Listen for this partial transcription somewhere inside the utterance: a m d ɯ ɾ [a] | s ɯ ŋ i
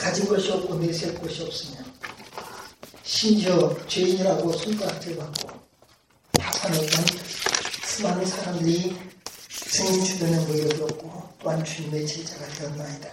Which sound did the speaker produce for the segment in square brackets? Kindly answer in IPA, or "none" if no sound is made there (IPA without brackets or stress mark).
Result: i